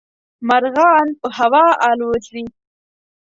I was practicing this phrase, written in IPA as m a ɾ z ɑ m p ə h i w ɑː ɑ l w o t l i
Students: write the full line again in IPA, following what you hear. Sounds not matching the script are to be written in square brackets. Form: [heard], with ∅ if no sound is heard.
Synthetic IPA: m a ɾ [ɣ] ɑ [n] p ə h [a] w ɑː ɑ l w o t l i